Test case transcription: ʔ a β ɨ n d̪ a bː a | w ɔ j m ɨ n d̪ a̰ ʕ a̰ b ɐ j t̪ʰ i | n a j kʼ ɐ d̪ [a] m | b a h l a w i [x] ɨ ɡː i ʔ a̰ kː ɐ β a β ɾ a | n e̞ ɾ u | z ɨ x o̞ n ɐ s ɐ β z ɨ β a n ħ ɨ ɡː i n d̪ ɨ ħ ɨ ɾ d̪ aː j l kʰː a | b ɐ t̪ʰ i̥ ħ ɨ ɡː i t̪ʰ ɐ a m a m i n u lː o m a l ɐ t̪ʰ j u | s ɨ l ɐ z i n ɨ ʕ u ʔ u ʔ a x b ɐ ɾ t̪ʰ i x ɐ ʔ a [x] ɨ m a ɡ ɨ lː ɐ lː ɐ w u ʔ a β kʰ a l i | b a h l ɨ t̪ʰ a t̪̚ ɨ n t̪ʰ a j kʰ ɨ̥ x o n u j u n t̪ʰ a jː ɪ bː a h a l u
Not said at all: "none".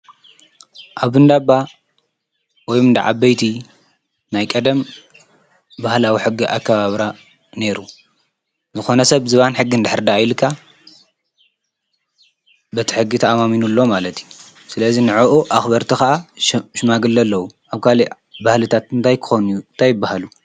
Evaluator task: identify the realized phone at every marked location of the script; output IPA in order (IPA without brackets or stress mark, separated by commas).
ɐ, ħ, ʃ